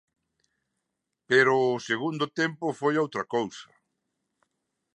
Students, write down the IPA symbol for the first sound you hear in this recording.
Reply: p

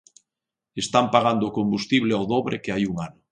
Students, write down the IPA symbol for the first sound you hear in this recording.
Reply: e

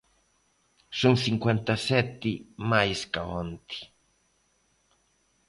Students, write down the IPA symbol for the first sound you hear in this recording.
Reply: s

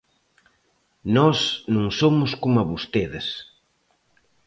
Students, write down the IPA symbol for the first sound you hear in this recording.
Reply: n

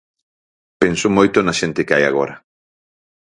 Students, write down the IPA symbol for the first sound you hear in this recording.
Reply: p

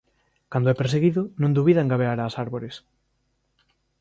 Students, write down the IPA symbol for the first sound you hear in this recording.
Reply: k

